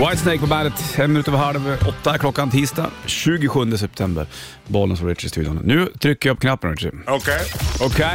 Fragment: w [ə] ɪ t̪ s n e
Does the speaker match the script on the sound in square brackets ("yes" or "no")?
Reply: no